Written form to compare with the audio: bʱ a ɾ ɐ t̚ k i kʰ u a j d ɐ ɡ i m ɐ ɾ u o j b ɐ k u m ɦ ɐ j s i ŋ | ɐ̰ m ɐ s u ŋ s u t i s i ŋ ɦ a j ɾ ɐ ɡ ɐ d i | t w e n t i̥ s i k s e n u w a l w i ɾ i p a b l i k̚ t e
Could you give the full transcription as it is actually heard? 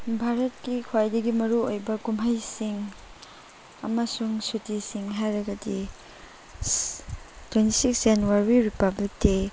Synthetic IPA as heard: bʱ a ɾ ɐ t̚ k i kʰ w a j d ɐ ɡ i m ɐ ɾ u o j b ɐ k u m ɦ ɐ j s i ŋ | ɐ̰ m ɐ s u ŋ s u t i s i ŋ ɦ a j ɾ ɐ ɡ ɐ d i | t w e n t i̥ s i k s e n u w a ɾ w i ɾ i p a b l i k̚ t e